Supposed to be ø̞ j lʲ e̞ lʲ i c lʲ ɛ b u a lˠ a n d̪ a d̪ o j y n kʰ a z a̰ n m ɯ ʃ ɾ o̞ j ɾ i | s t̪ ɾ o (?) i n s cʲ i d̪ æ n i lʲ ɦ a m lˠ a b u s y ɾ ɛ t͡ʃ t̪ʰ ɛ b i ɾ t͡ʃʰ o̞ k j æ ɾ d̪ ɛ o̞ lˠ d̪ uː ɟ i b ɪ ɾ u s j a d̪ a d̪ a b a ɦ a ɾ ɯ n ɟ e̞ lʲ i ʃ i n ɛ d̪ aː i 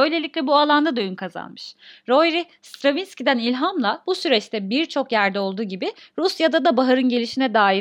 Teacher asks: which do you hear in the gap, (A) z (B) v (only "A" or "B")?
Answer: B